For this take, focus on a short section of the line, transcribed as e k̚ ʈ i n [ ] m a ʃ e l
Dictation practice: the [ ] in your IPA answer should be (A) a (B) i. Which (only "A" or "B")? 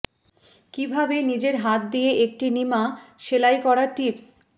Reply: B